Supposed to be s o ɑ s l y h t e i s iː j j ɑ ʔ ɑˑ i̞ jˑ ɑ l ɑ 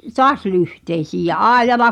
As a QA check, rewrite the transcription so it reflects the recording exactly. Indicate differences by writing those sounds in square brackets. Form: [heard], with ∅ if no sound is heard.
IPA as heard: [t] o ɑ s l y h t e i s iː j j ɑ ʔ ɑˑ i̞ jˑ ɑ l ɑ